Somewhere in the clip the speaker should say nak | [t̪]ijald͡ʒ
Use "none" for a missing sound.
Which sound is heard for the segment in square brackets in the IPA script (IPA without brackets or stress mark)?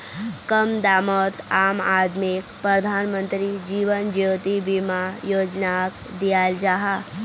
d̪